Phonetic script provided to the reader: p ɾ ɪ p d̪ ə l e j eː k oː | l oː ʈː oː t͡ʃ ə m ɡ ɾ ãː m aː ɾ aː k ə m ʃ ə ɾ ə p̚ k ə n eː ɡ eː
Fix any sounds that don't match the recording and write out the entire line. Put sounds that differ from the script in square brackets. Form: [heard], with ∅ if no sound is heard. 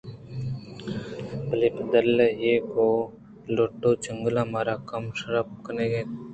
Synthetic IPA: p [l] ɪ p d̪ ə l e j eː k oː | l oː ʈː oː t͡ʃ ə [ŋ] ɡ [l] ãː m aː ɾ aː k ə m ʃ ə ɾ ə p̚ k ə n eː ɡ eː